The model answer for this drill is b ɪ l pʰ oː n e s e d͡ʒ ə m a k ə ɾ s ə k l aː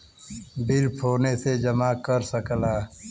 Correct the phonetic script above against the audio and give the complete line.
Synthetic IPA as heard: b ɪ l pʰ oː n e s e d͡ʒ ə m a k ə ɾ s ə k l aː